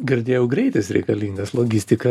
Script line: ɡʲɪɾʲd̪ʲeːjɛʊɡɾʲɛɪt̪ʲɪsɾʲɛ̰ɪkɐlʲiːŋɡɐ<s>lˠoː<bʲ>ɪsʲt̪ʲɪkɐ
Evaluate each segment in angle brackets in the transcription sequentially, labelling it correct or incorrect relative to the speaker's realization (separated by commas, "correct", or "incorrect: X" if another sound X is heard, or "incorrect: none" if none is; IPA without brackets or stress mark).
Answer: correct, incorrect: ɡʲ